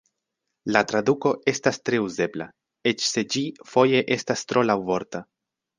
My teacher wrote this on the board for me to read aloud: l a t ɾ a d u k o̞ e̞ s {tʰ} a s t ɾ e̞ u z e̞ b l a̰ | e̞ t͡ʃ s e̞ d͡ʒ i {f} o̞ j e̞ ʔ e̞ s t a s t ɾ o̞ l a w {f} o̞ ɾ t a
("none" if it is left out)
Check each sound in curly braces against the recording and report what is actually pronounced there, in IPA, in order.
t, f, v

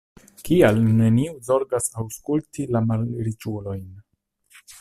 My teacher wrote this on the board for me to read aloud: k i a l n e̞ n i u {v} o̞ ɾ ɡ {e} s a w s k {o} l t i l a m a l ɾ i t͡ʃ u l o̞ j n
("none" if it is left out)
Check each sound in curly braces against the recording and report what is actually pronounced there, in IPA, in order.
z, a, u

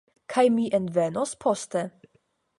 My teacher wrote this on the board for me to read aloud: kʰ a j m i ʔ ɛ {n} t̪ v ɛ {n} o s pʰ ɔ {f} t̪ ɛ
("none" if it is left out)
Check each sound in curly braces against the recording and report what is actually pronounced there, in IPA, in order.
n, n, s

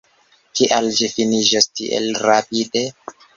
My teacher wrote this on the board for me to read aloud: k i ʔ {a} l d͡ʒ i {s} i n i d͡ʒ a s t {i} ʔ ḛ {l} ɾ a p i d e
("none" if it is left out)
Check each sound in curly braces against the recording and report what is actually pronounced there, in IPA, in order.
a, f, i, l

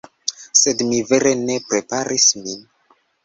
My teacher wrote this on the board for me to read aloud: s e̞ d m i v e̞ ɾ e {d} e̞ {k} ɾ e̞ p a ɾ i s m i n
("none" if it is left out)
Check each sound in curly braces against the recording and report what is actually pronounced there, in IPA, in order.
n, p

